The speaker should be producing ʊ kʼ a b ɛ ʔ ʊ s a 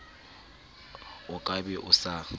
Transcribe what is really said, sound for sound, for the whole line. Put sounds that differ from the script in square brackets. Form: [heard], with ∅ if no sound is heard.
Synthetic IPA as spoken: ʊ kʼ a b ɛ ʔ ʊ s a